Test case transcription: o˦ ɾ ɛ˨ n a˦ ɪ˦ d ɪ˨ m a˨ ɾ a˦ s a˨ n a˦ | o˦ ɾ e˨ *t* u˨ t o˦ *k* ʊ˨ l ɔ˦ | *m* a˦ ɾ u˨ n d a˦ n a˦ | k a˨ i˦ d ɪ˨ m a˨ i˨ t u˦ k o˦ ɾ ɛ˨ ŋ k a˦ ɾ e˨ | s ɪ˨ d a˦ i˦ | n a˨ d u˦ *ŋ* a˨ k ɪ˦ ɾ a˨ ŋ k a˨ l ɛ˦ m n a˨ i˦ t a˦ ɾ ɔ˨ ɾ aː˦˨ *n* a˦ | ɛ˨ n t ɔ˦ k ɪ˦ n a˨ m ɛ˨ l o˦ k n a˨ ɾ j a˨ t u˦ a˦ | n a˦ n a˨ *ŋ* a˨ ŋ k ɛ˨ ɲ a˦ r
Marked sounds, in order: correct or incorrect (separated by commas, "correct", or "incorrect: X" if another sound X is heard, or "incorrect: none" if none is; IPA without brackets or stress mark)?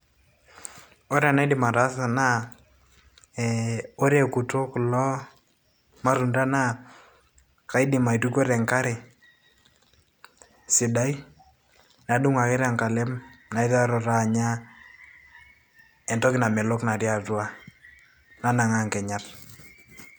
incorrect: k, correct, correct, correct, incorrect: ɲ, correct